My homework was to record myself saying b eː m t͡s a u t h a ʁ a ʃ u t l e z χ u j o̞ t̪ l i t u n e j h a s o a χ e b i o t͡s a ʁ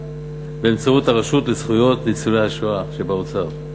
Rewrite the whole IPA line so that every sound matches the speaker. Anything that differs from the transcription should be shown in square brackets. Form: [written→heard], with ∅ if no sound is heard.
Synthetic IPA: b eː m t͡s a u t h a ʁ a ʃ u t l e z χ u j o̞ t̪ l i [t→t͡s] u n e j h a [s→ʃ] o a [χ→ʃ] e b [i→a] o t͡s a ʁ

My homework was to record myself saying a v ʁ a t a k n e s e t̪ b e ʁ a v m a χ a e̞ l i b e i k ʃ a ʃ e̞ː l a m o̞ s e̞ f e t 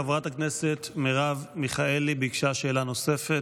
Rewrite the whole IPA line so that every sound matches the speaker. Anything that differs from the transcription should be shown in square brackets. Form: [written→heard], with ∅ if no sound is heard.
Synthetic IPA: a v ʁ a t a k n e s e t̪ [b→m] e ʁ a v m [a→i] χ a e̞ l i b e i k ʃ a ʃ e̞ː l a [m→n] o̞ s e̞ f e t

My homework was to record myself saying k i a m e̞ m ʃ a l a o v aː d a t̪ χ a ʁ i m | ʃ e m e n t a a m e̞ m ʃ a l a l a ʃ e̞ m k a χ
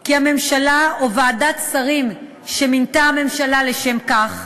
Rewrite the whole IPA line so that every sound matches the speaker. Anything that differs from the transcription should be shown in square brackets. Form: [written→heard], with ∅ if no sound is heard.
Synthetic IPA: k i a m e̞ m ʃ a l a o v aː d a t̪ [χ→s] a ʁ i m | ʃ e m [e→i] n t a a m e̞ m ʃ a l a l [a→e] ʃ e̞ m k a χ

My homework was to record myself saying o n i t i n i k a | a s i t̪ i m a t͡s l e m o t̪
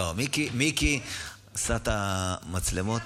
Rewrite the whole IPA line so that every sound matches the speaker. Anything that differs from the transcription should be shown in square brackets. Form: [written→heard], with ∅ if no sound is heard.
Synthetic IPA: o [n→m] i [t→k] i [n→m] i k [a→i] | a s [i→a] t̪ [i→a] m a t͡s l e m o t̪

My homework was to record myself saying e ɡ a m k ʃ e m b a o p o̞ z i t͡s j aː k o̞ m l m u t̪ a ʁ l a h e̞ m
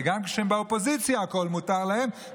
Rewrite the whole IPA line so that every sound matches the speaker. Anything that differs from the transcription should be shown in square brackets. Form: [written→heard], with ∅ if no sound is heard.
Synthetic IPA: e ɡ a m k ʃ e m b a o p o̞ z i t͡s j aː k o̞ [m→∅] l m u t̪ a ʁ l a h e̞ m

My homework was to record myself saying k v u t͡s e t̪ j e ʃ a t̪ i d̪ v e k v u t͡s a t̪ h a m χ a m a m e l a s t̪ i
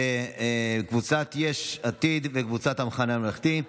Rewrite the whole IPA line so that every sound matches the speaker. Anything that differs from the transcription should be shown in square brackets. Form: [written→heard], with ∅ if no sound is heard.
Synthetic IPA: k v u t͡s [e→a] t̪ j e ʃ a t̪ i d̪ v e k v u t͡s a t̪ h a m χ a [m→n] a m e l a [s→χ] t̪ i

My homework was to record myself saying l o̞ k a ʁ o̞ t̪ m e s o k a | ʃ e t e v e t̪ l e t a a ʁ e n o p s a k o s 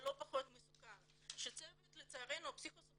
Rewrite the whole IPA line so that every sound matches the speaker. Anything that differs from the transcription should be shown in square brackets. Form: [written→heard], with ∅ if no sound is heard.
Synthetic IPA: l o̞ [k→p] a [ʁ→χ] o̞ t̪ m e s [o→u] k a | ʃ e [t→t͡s] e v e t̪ l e [t→t͡s] a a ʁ e n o p s [a→i] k o s

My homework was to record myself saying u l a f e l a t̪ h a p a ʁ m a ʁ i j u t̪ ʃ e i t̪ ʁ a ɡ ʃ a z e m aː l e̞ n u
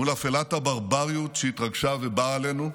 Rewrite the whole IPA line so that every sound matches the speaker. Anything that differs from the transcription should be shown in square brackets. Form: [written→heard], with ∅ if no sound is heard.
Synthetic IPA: u l a f e l a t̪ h a [p→b] a ʁ [m→b] a ʁ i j u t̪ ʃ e i t̪ ʁ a ɡ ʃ a [z→v] e [m→b] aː l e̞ n u

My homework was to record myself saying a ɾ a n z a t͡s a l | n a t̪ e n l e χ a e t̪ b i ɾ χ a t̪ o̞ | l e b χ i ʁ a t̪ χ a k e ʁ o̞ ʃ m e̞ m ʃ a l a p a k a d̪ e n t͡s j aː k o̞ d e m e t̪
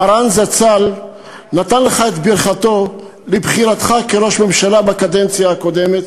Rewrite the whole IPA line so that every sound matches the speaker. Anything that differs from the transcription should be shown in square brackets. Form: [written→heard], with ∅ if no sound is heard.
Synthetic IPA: a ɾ a n z a t͡s a l | n a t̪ [e→a] n l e χ a e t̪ b i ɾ χ a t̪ o̞ | l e b χ i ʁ a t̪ χ a k e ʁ o̞ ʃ m e̞ m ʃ a l a [p→b] a k a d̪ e n t͡s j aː k o̞ d e m e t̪

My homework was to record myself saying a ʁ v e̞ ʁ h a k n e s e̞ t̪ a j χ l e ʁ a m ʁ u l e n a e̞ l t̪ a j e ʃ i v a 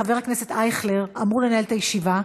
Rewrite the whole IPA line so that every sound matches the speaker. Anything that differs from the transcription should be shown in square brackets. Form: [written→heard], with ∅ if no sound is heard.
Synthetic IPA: a [ʁ→∅] v e̞ ʁ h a k n e s e̞ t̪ a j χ l e ʁ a m ʁ u l e n a e̞ l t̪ a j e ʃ i v a

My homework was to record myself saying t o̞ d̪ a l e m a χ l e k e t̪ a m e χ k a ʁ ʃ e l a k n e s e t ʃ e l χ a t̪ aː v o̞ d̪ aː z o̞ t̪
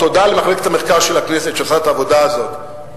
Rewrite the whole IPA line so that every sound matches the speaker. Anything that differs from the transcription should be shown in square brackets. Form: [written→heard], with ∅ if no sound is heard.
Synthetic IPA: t o̞ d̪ a l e m a χ l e k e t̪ a m e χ k a ʁ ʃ e l a k n e s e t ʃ e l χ a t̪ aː v o̞ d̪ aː z o̞ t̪

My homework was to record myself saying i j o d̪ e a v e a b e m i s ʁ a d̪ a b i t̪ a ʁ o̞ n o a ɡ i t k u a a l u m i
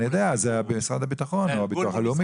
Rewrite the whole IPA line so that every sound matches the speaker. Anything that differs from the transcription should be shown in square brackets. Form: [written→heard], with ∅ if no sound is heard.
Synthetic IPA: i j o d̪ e a [v→z] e a b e m i s ʁ a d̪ a b i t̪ a [ʁ→χ] o̞ n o a [ɡ→b] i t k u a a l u m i

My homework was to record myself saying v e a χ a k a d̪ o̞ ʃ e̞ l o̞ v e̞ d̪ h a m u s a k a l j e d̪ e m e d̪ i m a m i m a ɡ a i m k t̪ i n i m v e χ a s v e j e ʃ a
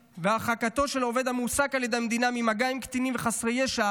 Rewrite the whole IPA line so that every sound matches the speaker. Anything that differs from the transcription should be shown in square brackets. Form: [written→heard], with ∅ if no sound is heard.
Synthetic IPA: v e a χ a k a [d̪→t̪] o̞ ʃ e̞ l o̞ v e̞ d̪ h a m u s a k a l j e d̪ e m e d̪ i [m→n] a m i m a ɡ a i m k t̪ i n i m v e χ a s [v→ʁ] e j e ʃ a

